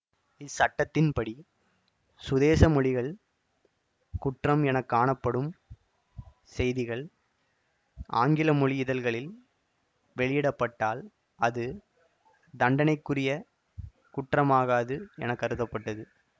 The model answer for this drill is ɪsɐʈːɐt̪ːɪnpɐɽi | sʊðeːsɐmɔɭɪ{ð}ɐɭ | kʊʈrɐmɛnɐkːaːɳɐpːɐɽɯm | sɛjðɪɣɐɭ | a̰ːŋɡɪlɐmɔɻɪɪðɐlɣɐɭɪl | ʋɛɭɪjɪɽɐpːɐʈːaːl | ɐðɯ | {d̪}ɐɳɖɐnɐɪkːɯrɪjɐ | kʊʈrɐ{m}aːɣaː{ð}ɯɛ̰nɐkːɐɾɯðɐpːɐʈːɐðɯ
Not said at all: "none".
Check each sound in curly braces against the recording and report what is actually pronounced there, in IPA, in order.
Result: ɣ, d̪, m, ð

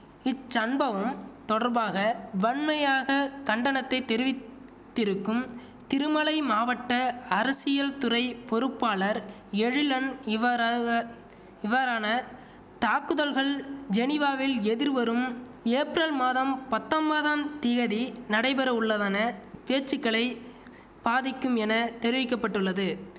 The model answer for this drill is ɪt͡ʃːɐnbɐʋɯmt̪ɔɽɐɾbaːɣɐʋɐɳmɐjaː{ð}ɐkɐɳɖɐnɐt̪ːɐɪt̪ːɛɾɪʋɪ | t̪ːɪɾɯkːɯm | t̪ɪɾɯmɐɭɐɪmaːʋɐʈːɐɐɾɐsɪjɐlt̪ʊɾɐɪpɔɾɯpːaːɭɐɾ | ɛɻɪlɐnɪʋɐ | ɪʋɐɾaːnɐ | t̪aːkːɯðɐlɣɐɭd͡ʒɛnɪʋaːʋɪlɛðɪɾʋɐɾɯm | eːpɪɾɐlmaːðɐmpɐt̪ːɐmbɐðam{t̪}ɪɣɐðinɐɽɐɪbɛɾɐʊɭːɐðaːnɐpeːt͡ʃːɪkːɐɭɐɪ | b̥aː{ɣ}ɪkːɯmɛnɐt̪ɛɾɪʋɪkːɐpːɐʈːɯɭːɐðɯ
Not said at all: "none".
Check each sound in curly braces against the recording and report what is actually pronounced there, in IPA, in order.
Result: ɣ, t̪, ð

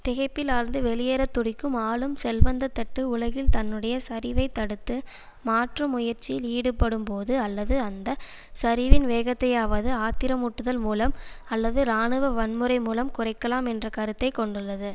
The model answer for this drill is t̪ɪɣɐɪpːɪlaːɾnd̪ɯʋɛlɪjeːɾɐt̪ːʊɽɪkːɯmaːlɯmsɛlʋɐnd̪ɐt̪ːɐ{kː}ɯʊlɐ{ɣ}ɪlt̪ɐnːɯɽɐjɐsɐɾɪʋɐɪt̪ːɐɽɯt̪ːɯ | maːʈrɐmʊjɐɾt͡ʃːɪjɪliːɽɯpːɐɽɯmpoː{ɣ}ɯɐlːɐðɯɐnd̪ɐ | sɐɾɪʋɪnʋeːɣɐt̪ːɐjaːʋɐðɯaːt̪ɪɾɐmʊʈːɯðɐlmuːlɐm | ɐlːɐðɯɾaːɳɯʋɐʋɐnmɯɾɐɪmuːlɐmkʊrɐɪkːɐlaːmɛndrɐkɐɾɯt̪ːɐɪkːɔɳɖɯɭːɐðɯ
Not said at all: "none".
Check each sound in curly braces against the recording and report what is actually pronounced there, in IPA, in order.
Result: ʈː, ɣ, ð

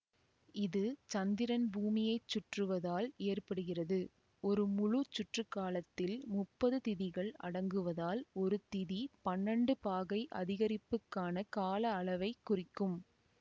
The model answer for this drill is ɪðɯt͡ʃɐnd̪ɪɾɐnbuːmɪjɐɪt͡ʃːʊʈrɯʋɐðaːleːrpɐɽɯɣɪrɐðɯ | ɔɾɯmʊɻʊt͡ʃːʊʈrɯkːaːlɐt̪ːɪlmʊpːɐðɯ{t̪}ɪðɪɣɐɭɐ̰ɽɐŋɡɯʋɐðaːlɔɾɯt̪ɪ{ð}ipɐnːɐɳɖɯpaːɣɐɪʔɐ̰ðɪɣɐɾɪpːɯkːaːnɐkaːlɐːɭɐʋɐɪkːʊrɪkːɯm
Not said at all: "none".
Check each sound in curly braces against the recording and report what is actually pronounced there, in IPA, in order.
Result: t̪, ð

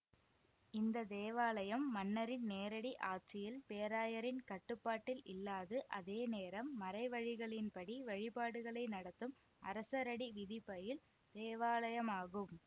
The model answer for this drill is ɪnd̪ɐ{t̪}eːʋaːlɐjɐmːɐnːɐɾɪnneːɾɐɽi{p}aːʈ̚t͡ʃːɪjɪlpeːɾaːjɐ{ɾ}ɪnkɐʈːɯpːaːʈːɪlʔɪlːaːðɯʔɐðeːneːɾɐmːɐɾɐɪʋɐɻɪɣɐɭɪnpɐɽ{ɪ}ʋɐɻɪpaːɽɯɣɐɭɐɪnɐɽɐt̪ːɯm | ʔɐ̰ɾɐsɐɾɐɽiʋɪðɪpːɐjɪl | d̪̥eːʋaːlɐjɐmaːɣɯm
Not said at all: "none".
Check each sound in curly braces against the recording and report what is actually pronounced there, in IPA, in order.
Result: d̪, ʔ, ɾ, i

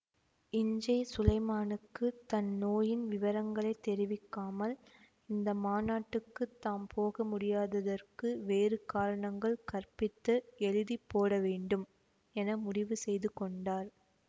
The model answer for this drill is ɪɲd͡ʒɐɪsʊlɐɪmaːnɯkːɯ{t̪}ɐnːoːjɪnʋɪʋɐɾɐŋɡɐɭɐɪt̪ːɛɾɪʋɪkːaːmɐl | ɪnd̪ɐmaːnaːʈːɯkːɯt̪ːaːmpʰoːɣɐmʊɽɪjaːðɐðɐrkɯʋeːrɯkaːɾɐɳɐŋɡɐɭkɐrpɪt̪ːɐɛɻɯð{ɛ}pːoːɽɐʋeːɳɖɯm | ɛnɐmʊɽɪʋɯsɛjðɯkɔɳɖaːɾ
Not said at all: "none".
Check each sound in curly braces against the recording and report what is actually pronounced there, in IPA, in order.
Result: t̪, i

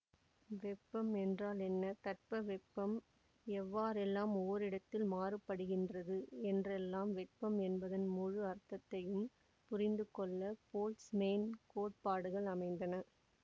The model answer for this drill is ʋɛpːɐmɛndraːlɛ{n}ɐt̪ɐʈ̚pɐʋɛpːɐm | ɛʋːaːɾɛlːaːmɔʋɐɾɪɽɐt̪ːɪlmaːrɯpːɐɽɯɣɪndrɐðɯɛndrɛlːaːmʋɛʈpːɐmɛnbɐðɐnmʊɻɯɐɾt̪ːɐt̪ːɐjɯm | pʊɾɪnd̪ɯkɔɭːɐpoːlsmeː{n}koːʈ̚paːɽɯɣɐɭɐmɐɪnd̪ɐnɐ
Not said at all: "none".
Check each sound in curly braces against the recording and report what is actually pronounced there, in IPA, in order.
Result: nː, n

